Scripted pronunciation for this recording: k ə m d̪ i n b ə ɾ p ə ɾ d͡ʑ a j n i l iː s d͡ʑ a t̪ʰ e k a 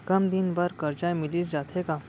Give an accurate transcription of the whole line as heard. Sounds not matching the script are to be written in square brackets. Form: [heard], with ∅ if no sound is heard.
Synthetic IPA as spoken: k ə m d̪ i n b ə ɾ [k] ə ɾ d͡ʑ a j [m] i l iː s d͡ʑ a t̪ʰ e k a